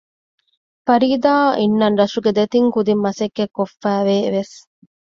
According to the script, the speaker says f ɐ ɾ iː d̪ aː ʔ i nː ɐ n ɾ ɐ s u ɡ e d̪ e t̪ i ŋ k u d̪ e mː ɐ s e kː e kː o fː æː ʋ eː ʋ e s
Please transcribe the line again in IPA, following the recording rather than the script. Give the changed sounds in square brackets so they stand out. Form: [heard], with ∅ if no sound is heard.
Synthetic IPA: f ɐ ɾ iː d̪ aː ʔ i nː ɐ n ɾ ɐ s u ɡ e d̪ e t̪ i ŋ k u d̪ [i] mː ɐ s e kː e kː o fː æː ʋ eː ʋ e s